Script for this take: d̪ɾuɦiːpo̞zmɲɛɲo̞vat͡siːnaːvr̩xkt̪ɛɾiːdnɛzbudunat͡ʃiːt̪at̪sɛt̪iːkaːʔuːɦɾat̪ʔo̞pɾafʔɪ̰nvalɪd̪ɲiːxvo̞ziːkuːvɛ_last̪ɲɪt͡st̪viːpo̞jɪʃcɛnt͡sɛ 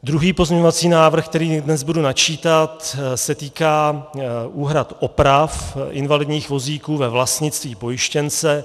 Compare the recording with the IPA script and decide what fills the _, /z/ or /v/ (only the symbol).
v